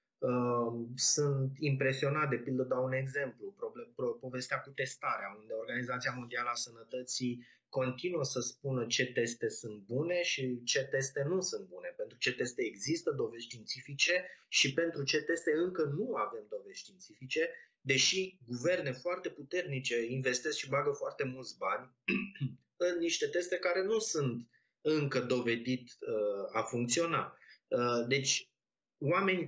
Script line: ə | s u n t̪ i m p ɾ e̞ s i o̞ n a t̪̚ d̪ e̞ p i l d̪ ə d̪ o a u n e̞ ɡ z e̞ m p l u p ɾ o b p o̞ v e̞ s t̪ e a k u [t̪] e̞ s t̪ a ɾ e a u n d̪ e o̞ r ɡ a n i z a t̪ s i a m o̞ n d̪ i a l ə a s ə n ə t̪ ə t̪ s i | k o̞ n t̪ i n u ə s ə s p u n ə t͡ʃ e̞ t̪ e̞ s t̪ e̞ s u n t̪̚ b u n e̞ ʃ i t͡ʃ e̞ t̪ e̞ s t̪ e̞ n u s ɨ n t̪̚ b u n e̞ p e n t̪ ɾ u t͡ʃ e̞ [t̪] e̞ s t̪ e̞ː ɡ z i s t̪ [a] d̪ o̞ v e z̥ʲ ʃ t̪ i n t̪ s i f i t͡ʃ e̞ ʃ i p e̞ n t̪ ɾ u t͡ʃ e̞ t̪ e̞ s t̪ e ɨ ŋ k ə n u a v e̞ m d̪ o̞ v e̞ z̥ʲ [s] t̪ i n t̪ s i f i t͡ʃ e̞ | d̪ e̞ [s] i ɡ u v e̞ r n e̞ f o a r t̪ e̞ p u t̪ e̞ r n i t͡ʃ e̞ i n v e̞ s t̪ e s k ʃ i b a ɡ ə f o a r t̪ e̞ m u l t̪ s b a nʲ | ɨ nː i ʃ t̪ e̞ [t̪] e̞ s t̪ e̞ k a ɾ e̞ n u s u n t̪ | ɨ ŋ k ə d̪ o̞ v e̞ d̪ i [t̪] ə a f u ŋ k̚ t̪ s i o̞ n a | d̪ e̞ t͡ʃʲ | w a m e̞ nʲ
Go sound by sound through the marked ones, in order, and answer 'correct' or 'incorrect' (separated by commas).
correct, correct, incorrect, incorrect, incorrect, correct, correct